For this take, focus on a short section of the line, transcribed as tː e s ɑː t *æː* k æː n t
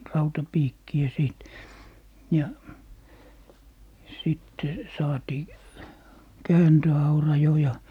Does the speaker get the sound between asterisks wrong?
yes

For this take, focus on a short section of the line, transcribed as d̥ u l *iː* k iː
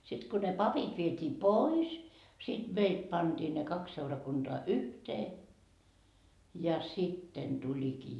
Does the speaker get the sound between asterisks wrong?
yes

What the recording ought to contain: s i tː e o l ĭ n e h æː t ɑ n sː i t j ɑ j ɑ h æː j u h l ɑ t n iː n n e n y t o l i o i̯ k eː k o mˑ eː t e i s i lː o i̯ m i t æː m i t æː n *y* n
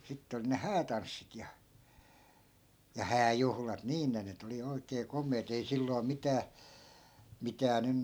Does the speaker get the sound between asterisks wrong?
no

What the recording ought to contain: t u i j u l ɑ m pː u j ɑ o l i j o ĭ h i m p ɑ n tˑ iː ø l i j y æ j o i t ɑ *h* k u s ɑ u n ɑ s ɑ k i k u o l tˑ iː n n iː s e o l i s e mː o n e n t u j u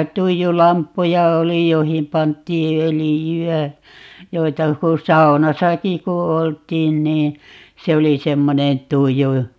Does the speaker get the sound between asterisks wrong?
yes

